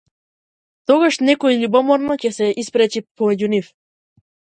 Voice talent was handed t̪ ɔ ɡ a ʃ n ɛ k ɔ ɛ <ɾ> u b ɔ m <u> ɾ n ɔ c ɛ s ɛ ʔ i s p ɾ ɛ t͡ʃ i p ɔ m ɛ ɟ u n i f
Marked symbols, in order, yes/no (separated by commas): no, no